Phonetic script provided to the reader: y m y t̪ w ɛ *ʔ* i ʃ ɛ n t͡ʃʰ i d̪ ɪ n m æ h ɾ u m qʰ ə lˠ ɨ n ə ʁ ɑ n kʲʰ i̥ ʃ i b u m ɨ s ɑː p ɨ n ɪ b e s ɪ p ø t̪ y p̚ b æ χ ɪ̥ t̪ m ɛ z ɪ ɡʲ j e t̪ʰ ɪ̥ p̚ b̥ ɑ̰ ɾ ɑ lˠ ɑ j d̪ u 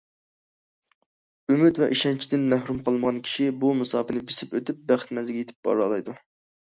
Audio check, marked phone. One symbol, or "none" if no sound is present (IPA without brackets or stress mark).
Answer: ʔ